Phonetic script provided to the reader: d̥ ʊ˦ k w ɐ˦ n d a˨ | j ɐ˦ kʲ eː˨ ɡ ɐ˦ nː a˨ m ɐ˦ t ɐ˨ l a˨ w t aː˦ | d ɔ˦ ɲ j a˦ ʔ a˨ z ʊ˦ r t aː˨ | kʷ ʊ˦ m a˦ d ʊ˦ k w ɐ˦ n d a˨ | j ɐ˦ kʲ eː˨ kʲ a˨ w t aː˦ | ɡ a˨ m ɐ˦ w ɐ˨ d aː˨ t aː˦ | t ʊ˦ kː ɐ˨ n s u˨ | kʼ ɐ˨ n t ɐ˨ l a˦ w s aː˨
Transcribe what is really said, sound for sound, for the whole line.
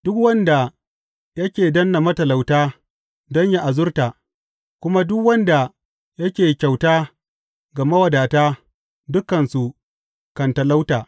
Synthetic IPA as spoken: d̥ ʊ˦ k w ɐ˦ n d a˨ | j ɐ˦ kʲ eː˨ d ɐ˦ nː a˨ m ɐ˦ t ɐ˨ l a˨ w t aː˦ | d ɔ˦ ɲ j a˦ ʔ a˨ z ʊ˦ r t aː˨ | kʷ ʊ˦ m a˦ d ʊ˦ k w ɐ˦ n d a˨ | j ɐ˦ kʲ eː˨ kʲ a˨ w t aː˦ | ɡ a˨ m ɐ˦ w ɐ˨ d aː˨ t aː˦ | d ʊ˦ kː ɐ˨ n s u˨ | k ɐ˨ n t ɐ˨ l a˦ w t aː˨

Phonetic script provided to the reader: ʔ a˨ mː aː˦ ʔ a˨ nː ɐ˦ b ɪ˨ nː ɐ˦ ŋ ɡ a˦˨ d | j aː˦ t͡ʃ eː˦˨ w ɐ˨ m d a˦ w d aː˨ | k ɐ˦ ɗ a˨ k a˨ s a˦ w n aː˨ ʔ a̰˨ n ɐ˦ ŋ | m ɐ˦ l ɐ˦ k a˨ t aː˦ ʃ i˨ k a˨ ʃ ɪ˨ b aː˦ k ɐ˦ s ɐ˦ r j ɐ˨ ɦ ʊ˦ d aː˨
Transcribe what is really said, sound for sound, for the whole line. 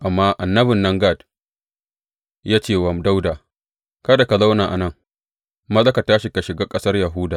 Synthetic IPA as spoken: ʔ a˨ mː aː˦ ʔ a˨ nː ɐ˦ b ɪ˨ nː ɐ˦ ŋ ɡ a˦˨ d | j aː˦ t͡ʃ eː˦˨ w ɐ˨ m d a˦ w d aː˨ | k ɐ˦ d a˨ k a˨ z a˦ w n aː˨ ʔ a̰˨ n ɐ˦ ŋ | m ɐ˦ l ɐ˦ k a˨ t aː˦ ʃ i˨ k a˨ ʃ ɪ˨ ɡ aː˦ kʼ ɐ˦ s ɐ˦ r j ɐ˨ ɦ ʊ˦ d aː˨

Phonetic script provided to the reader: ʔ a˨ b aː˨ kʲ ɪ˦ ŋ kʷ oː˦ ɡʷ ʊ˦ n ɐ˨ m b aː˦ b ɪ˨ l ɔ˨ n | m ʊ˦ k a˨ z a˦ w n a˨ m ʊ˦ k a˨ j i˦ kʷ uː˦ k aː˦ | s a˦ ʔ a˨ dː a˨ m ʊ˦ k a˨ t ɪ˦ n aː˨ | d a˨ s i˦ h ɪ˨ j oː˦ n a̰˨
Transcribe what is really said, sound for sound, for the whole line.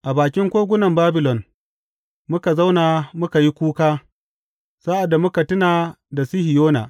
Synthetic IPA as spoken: ʔ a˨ b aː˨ kʲ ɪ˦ ŋ kʷ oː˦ ɡʷ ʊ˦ n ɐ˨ m b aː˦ b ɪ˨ l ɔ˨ n | m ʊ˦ k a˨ z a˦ w n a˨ m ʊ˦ k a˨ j i˦ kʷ uː˦ k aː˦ | s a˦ ʔ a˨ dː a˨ m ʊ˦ k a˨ t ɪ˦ n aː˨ | d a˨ s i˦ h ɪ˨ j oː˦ n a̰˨

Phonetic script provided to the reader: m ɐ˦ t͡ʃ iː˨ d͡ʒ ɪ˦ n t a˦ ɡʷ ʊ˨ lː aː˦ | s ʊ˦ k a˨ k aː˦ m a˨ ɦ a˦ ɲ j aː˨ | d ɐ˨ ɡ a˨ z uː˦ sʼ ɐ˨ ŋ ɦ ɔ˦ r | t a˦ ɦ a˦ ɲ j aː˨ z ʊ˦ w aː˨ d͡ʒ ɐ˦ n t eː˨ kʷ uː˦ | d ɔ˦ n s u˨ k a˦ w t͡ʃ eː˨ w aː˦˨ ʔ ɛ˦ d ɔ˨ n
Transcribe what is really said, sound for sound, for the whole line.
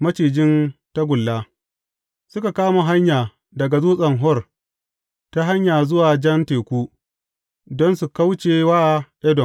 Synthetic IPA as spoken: m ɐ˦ t͡ʃ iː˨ d͡ʒ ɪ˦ n t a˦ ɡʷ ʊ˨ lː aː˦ | s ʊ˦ k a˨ k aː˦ m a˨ ɦ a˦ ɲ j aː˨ | d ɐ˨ ɡ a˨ z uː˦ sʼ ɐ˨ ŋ ɦ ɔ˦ r | t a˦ ɦ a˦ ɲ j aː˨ z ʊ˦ w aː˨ d͡ʒ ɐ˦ n t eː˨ kʷ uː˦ | d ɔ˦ n s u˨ k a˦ w t͡ʃ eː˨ w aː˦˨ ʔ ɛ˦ d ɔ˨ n

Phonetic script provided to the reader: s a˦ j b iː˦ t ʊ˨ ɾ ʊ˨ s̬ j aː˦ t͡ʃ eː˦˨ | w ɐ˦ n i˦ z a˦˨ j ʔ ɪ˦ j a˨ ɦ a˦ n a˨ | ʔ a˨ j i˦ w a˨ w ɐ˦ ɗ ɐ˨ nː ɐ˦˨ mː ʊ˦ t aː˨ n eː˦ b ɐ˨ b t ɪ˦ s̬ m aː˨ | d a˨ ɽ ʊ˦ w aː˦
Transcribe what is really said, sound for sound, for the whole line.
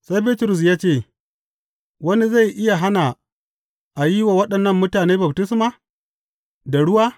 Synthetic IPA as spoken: s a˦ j b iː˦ t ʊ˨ ɾ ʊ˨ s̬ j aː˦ t͡ʃ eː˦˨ | w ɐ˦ n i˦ z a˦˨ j ʔ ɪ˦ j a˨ ɦ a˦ n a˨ | ʔ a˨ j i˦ w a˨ w ɐ˦ ɗ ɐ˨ nː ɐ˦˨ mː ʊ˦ t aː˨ n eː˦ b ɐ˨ b t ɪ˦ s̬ m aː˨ | d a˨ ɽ ʊ˦ w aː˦

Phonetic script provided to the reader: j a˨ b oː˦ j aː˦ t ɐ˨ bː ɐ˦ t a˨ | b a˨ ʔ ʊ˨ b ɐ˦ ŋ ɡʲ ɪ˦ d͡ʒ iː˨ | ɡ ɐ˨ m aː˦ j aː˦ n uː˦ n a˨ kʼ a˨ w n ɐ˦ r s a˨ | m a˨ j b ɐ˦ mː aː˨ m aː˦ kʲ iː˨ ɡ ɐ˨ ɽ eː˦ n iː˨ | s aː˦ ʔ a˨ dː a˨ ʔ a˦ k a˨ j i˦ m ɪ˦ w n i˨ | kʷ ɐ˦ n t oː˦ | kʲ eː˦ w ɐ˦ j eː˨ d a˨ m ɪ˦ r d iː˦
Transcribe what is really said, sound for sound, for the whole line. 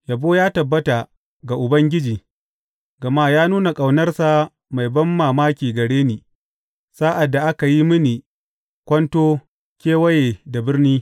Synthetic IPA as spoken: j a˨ b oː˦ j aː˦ t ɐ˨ bː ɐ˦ t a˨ | ɡ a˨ ʔ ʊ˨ b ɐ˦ ŋ ɡʲ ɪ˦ d͡ʒ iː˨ | ɡ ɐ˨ m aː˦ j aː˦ n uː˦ n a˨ kʼ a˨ w n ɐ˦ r s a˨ | m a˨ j b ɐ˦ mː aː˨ m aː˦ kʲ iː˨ ɡ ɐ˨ ɽ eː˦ n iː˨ | s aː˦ ʔ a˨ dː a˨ ʔ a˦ k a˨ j i˦ m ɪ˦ n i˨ | kʷ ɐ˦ n t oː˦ | kʲ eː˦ w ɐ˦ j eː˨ d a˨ b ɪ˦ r n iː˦

